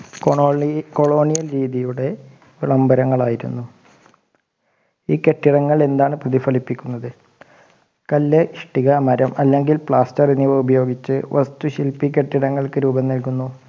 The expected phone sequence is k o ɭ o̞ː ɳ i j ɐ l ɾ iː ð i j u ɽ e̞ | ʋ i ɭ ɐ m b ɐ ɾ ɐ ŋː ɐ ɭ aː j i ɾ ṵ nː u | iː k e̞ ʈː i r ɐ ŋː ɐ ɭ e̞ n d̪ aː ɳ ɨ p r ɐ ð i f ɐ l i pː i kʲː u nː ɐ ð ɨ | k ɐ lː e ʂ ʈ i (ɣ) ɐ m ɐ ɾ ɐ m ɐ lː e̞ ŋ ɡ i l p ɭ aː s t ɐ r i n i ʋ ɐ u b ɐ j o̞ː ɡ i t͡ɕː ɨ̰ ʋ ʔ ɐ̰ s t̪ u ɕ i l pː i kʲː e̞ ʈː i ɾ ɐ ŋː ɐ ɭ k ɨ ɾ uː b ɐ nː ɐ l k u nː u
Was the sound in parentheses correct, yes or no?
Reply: yes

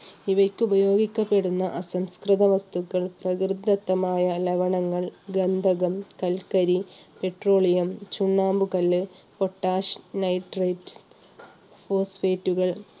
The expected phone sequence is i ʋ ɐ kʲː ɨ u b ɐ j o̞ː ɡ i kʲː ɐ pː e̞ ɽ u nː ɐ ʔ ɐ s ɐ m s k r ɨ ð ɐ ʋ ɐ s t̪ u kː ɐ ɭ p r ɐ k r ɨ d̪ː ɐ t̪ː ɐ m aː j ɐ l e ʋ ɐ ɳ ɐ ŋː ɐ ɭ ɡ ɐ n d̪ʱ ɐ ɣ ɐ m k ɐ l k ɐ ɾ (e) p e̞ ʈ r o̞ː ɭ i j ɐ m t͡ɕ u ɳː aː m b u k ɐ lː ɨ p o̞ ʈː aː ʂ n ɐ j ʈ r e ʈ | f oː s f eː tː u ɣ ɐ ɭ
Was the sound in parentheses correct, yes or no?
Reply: no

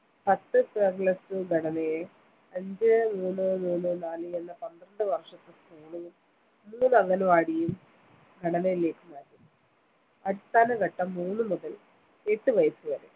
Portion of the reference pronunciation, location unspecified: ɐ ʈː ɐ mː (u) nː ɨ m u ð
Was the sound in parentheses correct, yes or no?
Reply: no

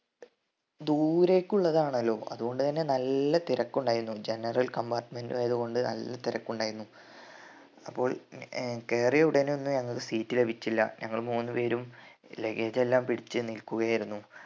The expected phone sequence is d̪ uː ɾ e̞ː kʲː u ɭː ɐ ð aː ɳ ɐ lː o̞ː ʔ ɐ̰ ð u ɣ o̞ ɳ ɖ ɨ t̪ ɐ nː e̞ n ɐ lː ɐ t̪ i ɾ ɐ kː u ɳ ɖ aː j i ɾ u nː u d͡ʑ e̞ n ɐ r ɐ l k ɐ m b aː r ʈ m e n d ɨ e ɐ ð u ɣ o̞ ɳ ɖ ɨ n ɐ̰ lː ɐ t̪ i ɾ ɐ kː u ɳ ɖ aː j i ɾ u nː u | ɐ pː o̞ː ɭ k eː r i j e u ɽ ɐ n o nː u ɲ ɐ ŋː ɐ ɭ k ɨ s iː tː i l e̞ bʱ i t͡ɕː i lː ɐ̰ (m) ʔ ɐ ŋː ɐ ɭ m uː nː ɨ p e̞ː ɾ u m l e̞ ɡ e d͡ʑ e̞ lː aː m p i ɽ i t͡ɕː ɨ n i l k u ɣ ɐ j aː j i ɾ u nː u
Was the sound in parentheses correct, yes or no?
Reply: no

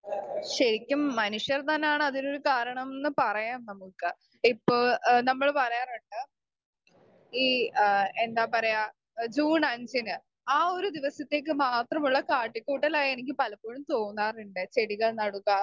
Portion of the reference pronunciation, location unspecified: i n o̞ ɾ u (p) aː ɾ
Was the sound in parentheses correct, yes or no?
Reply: no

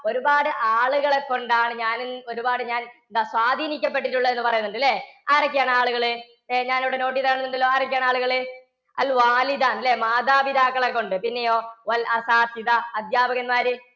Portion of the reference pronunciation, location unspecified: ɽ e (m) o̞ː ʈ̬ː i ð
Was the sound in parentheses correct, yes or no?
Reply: no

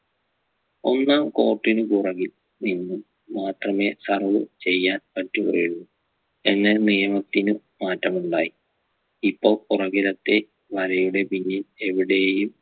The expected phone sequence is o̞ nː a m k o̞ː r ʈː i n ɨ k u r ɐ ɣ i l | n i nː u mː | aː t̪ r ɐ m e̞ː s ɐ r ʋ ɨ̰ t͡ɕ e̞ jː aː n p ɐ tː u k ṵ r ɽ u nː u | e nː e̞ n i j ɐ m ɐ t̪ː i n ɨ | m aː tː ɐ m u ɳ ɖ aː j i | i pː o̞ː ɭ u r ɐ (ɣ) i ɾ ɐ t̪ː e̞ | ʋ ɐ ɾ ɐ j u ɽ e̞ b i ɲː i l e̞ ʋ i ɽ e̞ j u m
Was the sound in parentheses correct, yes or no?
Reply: yes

